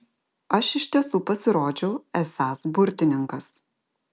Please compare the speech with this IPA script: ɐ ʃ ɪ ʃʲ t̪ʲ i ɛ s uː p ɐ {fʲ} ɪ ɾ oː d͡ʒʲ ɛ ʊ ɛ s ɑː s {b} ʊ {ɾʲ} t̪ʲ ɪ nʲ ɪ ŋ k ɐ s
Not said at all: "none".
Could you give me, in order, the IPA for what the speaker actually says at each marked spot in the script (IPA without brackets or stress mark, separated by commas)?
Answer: sʲ, b, ɾʲ